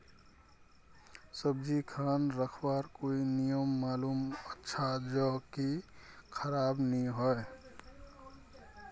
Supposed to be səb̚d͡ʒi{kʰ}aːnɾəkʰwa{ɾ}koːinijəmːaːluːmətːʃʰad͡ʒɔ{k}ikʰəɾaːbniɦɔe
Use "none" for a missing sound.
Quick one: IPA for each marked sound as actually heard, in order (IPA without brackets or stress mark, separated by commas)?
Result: kʰ, ɾ, k